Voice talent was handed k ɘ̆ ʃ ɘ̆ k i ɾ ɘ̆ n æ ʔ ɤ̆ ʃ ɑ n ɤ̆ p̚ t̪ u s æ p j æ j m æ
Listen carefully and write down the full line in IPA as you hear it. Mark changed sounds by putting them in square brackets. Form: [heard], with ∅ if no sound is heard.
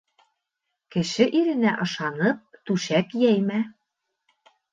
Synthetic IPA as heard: k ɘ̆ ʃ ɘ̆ [ʔ] i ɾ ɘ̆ n æ ʔ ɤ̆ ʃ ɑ n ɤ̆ p̚ t̪ u [ʃ] æ [k] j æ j m æ

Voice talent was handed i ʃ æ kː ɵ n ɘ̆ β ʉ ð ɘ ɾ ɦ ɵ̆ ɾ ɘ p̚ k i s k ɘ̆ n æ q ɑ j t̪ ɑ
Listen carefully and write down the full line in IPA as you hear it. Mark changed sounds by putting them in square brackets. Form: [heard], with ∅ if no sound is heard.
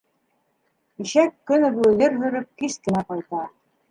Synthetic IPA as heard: i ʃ æ kː ɵ n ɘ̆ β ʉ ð ɘ ɾ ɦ ɵ̆ ɾ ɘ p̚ k i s k ɘ̆ n æ q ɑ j t̪ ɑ

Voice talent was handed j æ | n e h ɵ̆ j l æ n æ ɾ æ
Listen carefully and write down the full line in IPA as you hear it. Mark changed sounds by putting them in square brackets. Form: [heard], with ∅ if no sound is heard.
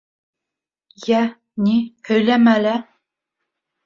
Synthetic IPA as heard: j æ | n [i] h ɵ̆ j l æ [m] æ [l] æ

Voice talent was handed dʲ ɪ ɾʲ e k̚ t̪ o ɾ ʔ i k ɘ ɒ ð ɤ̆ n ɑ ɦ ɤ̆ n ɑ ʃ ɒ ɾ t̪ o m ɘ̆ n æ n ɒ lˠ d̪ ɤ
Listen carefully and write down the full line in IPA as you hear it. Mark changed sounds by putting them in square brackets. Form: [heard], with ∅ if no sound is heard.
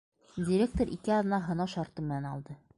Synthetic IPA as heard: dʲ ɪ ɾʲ e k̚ t̪ o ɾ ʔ i k ɘ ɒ ð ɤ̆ n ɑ ɦ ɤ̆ n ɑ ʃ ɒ ɾ t̪ [ɤ] m ɘ̆ n æ n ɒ lˠ d̪ ɤ

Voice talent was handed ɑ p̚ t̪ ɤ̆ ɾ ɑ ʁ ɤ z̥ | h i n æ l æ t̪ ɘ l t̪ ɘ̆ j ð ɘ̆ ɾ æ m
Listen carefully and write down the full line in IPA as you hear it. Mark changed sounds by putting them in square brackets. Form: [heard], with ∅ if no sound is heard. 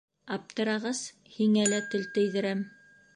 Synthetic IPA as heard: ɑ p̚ t̪ ɤ̆ ɾ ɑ ʁ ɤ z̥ | h i [ŋ] æ l æ t̪ ɘ l t̪ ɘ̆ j ð ɘ̆ ɾ æ m

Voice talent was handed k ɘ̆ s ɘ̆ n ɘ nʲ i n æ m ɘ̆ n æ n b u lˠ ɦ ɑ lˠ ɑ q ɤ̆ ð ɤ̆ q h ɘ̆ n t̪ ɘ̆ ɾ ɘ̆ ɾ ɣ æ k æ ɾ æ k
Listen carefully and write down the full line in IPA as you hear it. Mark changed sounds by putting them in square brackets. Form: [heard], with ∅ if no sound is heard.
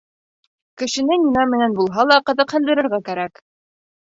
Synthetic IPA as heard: k ɘ̆ [ʃ] ɘ̆ n ɘ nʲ i n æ m ɘ̆ n æ n b u lˠ ɦ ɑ lˠ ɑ q ɤ̆ ð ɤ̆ q h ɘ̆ n [d̪] ɘ̆ ɾ ɘ̆ ɾ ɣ æ k æ ɾ æ k

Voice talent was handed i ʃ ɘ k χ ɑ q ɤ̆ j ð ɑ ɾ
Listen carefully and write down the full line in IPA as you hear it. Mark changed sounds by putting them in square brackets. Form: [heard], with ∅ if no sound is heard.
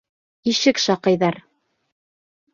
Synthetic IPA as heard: i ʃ ɘ k [ʃ] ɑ q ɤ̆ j ð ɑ ɾ

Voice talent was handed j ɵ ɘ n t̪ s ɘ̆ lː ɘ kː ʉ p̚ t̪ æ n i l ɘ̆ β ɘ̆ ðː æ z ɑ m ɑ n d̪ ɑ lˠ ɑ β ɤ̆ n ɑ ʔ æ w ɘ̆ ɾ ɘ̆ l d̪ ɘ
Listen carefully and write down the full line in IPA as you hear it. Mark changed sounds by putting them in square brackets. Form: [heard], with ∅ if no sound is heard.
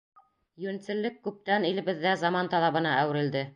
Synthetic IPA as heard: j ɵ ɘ n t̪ s ɘ̆ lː ɘ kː ʉ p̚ t̪ æ n i l ɘ̆ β ɘ̆ ðː æ z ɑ m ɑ n [t̪] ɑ lˠ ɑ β ɤ̆ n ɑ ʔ æ w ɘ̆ ɾ ɘ̆ l d̪ ɘ

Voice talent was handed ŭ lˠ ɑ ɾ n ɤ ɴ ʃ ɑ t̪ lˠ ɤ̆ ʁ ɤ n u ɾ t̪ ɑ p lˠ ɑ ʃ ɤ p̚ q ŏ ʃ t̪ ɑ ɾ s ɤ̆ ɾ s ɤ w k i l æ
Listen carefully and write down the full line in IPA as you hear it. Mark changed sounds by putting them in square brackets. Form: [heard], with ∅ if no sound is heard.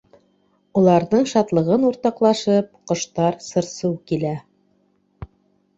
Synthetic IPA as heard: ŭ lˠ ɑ ɾ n ɤ ɴ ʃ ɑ t̪ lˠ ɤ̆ ʁ ɤ n u ɾ t̪ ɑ [q] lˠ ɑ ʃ ɤ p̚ q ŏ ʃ t̪ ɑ ɾ s ɤ̆ ɾ s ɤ w k i l æ

